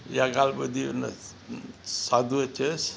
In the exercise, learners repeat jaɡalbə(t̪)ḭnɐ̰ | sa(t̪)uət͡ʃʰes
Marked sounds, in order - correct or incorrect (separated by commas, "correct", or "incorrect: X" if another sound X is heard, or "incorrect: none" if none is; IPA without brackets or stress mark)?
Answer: incorrect: d̪, incorrect: d̪